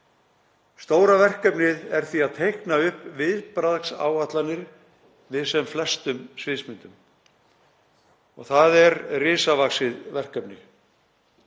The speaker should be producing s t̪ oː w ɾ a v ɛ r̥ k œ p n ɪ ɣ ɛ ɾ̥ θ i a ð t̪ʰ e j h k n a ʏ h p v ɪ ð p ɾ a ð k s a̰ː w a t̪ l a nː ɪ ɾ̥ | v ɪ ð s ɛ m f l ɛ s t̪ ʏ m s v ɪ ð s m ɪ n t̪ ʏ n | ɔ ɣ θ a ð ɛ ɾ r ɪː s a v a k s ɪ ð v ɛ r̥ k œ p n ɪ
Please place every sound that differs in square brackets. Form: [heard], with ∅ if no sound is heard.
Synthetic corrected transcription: s t̪ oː w ɾ a v ɛ r̥ k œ p n ɪ [ð] ɛ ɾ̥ θ i a ð t̪ʰ e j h k n a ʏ h p v ɪ ð p ɾ a ð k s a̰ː w a t̪ l a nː ɪ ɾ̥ | v ɪ ð s ɛ m f l ɛ s t̪ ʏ m s v ɪ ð s m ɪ n t̪ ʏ [m] | ɔ ɣ θ a ð ɛ ɾ r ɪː s a v a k s ɪ ð v ɛ r̥ k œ p n ɪ

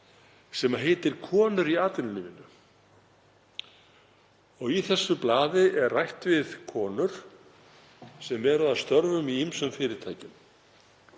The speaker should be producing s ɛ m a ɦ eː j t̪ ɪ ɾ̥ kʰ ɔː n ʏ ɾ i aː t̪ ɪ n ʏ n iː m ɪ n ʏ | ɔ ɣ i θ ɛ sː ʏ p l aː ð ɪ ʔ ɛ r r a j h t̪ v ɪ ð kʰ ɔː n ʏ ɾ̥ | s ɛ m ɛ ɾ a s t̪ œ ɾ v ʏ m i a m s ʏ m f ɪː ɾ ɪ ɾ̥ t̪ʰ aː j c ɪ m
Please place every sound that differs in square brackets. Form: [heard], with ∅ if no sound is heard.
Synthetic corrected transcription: s ɛ m a ɦ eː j t̪ ɪ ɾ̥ kʰ ɔː n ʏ ɾ i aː t̪ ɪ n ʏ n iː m ɪ n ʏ | ɔ ɣ i θ ɛ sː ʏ p l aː ð ɪ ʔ ɛ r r a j h t̪ v ɪ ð kʰ ɔː n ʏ ɾ̥ | s ɛ m ɛ ɾ a s t̪ œ ɾ v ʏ m i [i] m s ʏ m f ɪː ɾ ɪ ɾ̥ t̪ʰ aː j c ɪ m

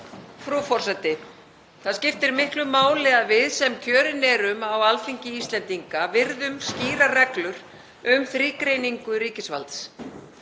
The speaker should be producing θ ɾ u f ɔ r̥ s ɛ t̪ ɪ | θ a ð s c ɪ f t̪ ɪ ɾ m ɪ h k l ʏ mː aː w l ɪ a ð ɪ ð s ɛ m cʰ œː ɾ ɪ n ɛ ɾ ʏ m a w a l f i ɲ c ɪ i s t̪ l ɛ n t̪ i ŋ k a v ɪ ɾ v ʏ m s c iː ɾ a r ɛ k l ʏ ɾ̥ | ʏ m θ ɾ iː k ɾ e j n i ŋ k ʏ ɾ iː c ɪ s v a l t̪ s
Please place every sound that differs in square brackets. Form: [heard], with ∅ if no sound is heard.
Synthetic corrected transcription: [f] ɾ u f ɔ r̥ s ɛ t̪ ɪ | θ a ð s c ɪ f t̪ ɪ ɾ m ɪ h k l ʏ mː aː w l ɪ a [v] ɪ ð s ɛ m cʰ œː ɾ ɪ n ɛ ɾ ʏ m a w a l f i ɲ c ɪ i s t̪ l ɛ n t̪ i ŋ k a v ɪ ɾ [ð] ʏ m s c iː ɾ a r ɛ k l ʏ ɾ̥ | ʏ m θ ɾ iː k ɾ e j n i ŋ k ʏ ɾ iː c ɪ s v a l t̪ s

